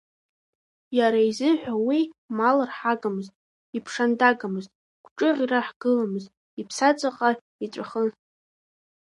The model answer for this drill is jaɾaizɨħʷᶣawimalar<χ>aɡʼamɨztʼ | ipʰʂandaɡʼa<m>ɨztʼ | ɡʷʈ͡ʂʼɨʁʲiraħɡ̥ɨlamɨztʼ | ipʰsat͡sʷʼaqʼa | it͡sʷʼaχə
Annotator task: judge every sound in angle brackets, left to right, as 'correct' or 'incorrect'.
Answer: incorrect, correct

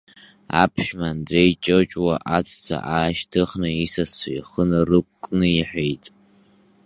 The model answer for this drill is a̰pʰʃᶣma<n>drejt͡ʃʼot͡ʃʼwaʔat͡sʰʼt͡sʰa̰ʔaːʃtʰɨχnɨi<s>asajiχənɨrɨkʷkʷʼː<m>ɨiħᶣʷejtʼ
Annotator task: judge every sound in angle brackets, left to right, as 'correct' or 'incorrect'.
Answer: correct, correct, incorrect

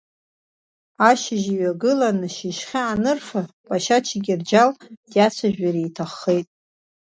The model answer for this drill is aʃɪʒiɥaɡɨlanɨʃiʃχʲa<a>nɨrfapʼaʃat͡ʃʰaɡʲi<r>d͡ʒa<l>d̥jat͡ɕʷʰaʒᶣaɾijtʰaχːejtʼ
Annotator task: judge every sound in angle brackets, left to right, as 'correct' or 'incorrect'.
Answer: correct, correct, correct

